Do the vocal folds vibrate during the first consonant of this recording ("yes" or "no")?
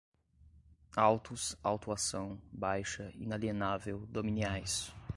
yes